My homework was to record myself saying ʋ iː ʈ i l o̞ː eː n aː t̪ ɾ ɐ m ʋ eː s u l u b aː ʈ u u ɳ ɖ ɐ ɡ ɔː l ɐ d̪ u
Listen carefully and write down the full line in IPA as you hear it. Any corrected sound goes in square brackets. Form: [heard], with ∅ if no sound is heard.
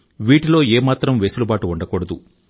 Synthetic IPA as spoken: ʋ iː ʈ i l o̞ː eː [m] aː t̪ ɾ ɐ m ʋ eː s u l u b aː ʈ u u ɳ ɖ ɐ [k] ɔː [ɽ] ɐ d̪ u